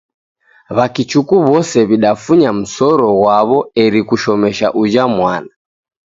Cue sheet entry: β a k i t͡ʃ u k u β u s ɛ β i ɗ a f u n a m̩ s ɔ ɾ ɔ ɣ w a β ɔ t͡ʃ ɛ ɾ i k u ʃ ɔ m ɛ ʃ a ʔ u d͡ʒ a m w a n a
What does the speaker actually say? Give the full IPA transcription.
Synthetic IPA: β a k i t͡ʃ u k u β ɔ s ɛ β i ɗ a f u ɲ a m̩ s ɔ ɾ ɔ ɣ w a β ɔ ɛ ɾ i k u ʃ ɔ m ɛ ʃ a ʔ u d͡ʒ a m w a n a